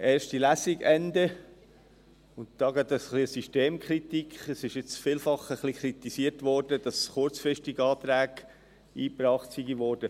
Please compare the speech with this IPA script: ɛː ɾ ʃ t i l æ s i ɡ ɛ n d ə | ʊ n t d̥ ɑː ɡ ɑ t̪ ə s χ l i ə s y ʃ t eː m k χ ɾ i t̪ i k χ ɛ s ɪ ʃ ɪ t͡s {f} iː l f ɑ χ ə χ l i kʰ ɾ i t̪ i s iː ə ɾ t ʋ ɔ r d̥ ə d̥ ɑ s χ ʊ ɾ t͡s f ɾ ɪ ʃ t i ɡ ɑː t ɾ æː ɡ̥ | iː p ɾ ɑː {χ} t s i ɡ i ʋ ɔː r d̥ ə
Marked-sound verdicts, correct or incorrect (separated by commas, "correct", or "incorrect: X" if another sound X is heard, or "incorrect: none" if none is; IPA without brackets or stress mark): correct, correct